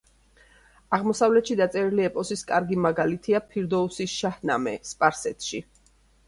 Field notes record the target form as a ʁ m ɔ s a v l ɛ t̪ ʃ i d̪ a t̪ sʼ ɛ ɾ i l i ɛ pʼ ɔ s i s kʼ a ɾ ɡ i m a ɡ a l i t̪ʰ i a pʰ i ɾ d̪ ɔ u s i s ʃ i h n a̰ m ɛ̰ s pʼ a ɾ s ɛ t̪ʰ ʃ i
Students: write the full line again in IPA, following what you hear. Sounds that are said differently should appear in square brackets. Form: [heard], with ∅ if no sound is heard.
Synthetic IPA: a ʁ m ɔ s a v l ɛ t̪ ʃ i d̪ a t̪ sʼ ɛ ɾ i l i ɛ pʼ ɔ s i s kʼ a ɾ ɡ i m a ɡ a l i t̪ʰ i a pʰ i ɾ d̪ ɔ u s i s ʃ [a] h n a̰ m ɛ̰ s pʼ a ɾ s ɛ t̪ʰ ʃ i